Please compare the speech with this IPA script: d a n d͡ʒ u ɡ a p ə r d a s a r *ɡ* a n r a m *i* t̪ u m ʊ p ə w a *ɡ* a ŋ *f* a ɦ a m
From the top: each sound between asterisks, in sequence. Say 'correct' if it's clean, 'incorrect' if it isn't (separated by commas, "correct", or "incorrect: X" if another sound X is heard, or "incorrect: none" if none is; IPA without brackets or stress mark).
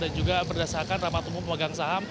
incorrect: k, incorrect: a, correct, incorrect: s